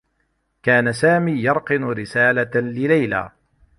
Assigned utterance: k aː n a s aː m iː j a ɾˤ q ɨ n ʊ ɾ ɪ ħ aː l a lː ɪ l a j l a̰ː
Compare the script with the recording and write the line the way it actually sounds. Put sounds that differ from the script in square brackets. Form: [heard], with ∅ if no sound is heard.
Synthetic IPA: k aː n a s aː m iː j [ɑ] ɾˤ q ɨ n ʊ ɾ ɪ [s] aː l a [l] ɪ l a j l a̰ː